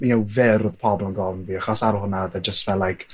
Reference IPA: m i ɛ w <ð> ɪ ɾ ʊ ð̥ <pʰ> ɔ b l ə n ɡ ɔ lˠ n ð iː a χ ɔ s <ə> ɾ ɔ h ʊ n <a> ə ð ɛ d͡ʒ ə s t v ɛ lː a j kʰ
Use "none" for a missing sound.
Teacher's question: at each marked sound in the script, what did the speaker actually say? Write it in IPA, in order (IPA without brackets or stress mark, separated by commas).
v, pʰ, a, a